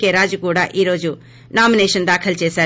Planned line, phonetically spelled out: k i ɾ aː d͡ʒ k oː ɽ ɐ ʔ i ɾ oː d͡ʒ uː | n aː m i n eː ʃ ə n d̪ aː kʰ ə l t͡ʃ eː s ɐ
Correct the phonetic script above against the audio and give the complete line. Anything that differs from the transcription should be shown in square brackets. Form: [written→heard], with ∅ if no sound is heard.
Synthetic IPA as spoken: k [i→e] ɾ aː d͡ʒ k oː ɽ [ɐ→a] ʔ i ɾ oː d͡ʒ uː | n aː m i n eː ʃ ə n d̪ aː kʰ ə l t͡ʃ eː s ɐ